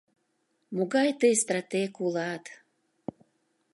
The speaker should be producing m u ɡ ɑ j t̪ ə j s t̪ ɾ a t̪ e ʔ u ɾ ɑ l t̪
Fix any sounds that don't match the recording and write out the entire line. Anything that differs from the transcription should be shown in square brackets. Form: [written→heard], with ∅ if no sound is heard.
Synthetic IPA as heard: m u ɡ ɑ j t̪ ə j s t̪ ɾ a t̪ e [ʔ→k] u [ɾ→l] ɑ [l→∅] t̪